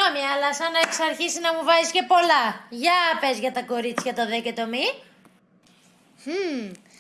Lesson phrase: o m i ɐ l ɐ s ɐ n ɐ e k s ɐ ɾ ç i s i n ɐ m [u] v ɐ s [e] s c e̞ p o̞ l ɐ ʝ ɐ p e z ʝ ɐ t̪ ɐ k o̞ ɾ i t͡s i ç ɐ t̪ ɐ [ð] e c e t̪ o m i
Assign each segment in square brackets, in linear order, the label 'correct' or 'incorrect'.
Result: correct, incorrect: i, correct

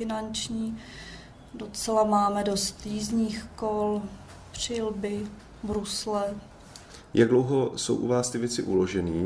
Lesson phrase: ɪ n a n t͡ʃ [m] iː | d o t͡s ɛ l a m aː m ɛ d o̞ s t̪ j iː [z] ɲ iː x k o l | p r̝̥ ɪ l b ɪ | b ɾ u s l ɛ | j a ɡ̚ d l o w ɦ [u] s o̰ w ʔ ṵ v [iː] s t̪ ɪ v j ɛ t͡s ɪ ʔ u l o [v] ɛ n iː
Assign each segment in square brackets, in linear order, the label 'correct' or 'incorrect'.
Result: incorrect: ɲ, correct, incorrect: o, incorrect: aː, incorrect: ʒ

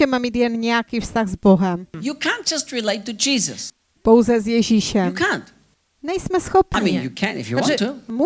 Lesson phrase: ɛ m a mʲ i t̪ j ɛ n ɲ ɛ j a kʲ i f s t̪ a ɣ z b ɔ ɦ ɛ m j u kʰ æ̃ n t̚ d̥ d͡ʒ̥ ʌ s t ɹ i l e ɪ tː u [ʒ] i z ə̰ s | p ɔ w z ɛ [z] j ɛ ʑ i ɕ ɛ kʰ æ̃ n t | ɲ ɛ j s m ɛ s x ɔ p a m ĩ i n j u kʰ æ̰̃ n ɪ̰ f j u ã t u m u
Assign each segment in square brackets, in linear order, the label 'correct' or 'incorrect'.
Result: incorrect: d͡ʒ, correct

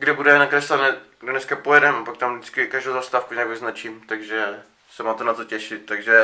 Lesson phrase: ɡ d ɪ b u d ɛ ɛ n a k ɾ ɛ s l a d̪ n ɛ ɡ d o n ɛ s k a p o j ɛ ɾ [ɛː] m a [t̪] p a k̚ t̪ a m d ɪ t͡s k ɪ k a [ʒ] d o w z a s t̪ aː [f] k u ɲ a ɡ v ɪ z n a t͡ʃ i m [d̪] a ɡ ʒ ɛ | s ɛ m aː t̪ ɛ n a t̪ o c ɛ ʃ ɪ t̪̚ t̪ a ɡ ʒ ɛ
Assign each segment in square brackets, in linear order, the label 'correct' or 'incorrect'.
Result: incorrect: ɛ, incorrect: none, correct, correct, incorrect: t̪

